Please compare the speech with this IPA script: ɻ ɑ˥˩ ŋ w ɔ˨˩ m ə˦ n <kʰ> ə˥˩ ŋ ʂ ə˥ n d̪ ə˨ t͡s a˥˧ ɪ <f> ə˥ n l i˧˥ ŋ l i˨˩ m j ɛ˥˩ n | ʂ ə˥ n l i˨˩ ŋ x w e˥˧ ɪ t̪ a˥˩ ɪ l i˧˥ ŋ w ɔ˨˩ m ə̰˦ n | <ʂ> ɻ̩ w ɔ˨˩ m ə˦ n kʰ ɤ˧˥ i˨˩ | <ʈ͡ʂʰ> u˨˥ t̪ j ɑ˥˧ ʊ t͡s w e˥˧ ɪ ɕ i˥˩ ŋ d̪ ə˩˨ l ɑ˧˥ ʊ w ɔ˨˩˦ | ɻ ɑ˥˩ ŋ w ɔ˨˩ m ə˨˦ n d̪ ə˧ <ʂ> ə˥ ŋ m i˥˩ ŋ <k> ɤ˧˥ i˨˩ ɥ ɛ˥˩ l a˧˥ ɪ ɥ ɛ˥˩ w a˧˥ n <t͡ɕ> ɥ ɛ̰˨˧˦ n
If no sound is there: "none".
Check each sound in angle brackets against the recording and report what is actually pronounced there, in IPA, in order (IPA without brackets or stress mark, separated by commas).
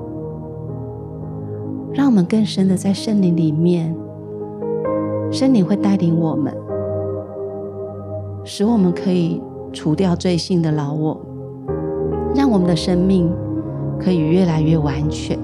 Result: k, ʂ, ʂ, ʈ͡ʂʰ, ʂ, kʰ, t͡ɕʰ